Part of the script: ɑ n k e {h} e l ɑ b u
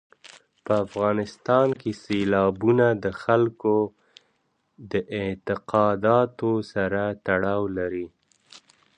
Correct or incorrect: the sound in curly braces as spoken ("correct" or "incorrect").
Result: incorrect